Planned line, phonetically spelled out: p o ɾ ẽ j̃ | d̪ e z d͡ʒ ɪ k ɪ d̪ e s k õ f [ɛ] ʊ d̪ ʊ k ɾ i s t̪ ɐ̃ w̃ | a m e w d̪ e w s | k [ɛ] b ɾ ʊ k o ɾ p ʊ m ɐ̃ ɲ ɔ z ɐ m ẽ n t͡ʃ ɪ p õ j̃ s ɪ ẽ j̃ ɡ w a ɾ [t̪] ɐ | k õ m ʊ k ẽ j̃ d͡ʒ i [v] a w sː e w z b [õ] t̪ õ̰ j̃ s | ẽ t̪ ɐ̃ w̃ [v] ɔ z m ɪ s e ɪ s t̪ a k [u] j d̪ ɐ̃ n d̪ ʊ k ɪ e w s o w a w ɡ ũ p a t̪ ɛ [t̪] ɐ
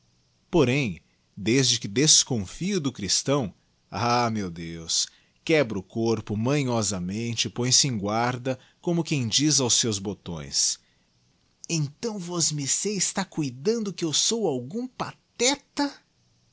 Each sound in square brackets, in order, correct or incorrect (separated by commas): incorrect, correct, incorrect, incorrect, incorrect, correct, correct, correct